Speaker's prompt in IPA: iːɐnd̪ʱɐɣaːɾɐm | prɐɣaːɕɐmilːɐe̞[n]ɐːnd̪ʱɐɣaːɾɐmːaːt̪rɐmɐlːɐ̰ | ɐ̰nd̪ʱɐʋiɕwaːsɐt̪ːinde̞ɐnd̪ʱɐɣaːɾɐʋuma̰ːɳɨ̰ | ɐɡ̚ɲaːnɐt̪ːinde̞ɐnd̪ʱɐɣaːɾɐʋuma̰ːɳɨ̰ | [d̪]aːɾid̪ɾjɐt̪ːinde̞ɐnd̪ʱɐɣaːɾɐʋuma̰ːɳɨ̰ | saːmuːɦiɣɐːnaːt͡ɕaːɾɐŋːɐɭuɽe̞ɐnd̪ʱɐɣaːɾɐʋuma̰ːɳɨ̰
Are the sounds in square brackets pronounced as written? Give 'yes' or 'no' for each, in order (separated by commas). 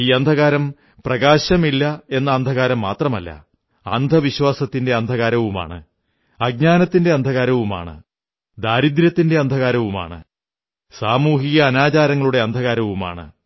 no, yes